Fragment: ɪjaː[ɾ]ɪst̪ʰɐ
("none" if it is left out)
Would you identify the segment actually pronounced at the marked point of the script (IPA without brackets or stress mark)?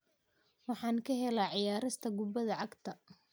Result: ɾ